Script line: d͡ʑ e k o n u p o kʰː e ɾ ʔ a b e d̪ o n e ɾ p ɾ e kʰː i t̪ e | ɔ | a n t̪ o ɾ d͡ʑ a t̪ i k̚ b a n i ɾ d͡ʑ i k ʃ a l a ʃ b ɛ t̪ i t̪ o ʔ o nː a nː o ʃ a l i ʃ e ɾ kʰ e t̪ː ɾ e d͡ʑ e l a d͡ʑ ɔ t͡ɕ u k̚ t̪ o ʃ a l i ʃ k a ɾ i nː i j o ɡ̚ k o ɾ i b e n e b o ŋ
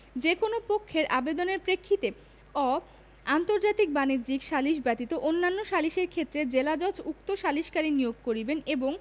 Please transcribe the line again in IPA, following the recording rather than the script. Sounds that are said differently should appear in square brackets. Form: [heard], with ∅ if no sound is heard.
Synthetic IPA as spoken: d͡ʑ e k o n [o] p o kʰː e ɾ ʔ a b e d̪ o n e ɾ p ɾ e kʰː i t̪ e | ɔ | a n t̪ o ɾ d͡ʑ a t̪ i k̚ b a n i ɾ d͡ʑ i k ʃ a l [i] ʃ b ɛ t̪ i t̪ o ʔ o nː a nː o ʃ a l i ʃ e ɾ kʰ e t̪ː ɾ e d͡ʑ e l a d͡ʑ ɔ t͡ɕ u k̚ t̪ o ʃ a l i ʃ k a ɾ i [n] i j o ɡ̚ k o ɾ i b e n e b o ŋ